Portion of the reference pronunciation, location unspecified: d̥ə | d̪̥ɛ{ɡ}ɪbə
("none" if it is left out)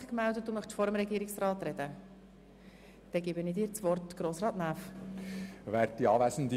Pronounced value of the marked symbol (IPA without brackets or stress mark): ɡ